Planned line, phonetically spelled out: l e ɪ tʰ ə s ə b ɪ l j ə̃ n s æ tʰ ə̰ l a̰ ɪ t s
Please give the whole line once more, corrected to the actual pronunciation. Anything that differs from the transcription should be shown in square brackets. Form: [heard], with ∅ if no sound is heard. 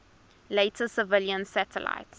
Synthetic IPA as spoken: l e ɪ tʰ ə s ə [v] ɪ l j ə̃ n s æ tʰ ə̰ l a̰ ɪ t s